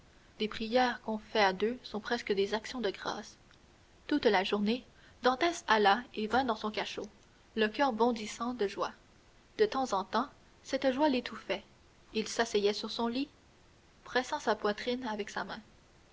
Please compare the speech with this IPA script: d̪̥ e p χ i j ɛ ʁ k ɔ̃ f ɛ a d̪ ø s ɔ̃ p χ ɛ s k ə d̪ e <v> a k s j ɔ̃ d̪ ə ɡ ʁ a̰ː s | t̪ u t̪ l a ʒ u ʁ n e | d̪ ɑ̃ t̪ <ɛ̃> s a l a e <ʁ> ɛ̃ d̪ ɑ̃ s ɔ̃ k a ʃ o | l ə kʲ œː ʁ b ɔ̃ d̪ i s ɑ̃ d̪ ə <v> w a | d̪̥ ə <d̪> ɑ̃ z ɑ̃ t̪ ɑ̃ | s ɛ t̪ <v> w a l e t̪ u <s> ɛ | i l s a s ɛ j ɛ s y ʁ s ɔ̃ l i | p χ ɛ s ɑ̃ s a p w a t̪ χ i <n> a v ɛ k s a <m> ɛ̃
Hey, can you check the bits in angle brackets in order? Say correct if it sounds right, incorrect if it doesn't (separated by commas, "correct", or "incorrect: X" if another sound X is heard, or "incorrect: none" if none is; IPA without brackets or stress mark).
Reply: incorrect: z, incorrect: ɛ, incorrect: v, incorrect: ʒ, incorrect: t̪, incorrect: ʒ, incorrect: f, correct, correct